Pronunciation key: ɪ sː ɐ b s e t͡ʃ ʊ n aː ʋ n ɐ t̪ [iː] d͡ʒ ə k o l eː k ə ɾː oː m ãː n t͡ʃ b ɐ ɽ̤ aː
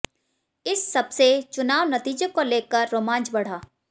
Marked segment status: correct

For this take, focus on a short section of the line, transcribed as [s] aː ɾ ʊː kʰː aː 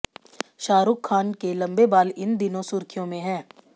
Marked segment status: incorrect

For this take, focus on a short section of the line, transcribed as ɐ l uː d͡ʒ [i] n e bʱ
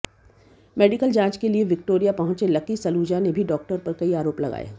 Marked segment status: incorrect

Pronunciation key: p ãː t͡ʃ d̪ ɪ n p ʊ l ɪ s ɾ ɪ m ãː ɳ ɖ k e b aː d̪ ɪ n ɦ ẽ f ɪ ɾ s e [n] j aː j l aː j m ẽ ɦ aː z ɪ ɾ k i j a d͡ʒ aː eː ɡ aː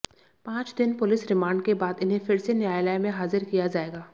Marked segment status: correct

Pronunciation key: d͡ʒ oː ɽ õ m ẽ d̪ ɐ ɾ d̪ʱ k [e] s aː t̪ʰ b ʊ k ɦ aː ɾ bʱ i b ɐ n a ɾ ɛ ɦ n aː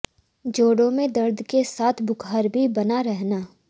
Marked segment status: correct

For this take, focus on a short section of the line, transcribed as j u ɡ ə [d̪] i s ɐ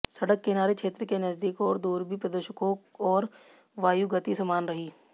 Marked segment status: incorrect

